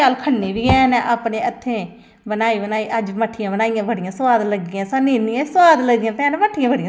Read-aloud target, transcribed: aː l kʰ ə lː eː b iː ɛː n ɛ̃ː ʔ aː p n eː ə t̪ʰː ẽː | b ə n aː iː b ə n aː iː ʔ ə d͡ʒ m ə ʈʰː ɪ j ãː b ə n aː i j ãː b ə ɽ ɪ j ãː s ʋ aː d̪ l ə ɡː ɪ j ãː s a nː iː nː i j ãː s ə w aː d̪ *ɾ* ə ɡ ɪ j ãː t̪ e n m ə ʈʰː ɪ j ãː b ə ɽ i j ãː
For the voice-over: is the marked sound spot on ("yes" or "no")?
no